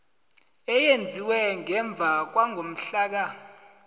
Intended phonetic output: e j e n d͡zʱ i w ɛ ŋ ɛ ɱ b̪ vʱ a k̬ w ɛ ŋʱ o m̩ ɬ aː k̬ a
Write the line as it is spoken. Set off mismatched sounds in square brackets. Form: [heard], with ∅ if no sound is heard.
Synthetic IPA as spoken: [ɛ] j e n d͡zʱ i w ɛ ŋ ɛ ɱ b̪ vʱ a k̬ w [a] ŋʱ o m̩ ɬ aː k̬ a